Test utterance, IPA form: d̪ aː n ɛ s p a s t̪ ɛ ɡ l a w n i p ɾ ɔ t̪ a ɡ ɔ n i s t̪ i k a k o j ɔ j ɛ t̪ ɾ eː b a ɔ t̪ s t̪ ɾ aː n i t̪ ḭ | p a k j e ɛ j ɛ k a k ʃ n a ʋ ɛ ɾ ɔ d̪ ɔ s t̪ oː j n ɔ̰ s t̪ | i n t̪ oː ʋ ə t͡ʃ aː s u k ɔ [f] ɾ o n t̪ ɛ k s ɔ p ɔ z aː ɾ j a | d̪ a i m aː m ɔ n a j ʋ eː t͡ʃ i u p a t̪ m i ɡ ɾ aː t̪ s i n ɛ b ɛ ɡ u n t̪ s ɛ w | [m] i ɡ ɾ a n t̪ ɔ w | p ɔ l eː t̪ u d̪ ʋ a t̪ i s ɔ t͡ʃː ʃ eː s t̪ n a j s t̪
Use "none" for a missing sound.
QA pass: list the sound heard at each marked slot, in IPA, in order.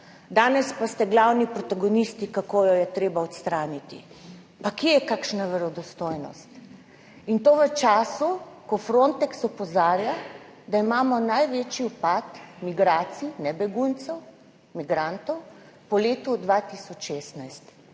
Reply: f, m

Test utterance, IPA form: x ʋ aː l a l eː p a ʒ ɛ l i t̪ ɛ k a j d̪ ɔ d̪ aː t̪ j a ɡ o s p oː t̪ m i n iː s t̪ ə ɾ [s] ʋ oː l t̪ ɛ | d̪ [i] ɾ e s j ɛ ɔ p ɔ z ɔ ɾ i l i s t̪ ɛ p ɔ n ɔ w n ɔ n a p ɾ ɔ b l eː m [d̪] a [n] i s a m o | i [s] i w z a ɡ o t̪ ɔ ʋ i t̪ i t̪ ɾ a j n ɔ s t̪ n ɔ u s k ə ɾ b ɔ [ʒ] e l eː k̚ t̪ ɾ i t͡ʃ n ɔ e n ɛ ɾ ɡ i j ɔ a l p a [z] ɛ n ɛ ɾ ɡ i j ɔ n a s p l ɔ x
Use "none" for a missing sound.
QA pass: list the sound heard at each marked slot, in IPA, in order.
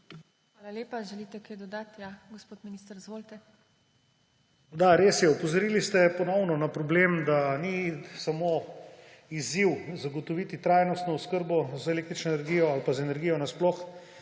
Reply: z, a, d̪, n, z, z, z

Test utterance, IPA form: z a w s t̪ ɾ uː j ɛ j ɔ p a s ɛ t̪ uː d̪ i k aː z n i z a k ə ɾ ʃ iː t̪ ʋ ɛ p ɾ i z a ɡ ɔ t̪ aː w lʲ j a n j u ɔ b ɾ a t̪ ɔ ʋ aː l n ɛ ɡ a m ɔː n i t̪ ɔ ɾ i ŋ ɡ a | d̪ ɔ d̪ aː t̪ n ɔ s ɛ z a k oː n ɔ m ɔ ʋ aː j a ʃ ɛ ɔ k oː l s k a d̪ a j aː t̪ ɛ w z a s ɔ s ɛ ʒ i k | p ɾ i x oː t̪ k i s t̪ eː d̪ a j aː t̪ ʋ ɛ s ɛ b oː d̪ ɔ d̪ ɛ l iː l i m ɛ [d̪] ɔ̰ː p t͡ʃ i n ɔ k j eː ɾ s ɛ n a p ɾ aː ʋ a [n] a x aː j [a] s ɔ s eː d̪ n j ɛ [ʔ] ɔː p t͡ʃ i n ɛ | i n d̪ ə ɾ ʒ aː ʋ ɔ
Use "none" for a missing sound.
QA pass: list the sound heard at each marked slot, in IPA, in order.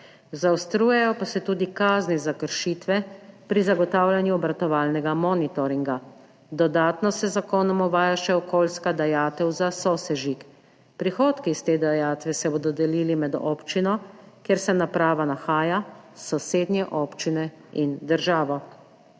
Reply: d̪, n, a, ʔ

